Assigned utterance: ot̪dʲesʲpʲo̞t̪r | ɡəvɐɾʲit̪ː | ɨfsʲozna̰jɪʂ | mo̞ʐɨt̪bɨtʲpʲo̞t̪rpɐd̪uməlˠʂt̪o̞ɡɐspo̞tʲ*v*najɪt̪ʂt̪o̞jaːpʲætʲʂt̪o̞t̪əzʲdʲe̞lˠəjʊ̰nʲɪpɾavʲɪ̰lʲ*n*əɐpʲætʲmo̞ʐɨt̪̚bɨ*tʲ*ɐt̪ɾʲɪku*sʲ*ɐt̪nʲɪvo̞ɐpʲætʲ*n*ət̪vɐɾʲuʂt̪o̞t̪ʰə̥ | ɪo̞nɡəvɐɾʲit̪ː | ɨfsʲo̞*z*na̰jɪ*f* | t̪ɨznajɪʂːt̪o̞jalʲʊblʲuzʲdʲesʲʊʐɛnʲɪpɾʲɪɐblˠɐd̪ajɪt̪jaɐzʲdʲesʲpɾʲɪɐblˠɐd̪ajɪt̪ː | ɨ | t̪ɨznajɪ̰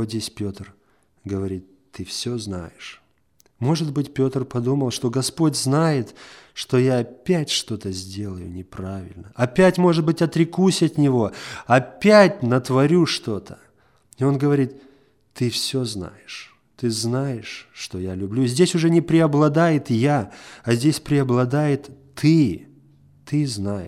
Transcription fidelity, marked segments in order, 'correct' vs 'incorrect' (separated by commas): incorrect, correct, correct, correct, correct, correct, incorrect